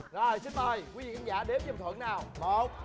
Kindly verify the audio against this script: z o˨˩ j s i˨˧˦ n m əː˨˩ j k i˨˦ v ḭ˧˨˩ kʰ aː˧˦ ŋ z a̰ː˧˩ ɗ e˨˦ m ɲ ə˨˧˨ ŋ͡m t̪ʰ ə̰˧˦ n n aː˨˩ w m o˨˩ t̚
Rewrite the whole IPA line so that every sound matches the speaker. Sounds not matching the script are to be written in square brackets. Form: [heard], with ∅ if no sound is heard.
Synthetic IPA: z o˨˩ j s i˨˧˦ n m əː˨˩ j k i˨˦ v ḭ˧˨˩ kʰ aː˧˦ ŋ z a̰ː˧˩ ɗ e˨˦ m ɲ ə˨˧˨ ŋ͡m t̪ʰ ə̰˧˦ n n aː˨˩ w m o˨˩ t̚